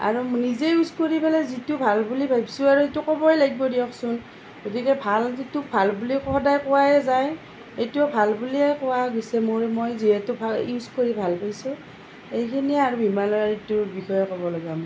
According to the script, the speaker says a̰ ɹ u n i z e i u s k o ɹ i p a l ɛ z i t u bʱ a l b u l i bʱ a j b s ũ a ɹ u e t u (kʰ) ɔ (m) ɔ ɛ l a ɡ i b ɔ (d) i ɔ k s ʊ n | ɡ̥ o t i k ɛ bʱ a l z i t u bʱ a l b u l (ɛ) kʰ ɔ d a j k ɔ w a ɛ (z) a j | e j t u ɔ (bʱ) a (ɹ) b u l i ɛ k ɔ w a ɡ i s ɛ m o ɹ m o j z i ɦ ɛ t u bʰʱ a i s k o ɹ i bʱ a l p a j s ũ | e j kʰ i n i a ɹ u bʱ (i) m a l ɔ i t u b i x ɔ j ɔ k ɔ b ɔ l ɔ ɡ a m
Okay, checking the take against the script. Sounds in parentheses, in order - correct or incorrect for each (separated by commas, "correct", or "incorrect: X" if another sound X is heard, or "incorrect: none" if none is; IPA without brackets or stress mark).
incorrect: k, incorrect: b, correct, incorrect: i, correct, correct, incorrect: l, correct